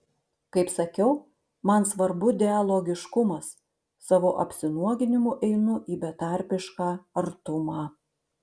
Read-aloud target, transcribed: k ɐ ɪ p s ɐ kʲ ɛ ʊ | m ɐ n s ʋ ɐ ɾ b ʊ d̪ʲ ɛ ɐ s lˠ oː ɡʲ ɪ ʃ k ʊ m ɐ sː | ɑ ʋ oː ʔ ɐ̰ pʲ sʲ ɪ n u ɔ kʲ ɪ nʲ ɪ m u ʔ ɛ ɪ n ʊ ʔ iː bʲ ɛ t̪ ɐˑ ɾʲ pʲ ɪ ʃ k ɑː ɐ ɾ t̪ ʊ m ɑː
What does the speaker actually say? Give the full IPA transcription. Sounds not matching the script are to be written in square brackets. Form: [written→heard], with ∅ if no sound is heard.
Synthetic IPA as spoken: k ɐ ɪ p s ɐ kʲ ɛ ʊ | m ɐ n s ʋ ɐ ɾ b ʊ d̪ʲ ɛ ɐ [s→∅] lˠ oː ɡʲ ɪ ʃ k ʊ m ɐ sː | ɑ ʋ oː ʔ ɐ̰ pʲ sʲ ɪ n u ɔ [kʲ→ɡʲ] ɪ nʲ ɪ m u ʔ ɛ ɪ n ʊ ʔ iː bʲ ɛ t̪ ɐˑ ɾʲ pʲ ɪ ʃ k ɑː ɐ ɾ t̪ ʊ m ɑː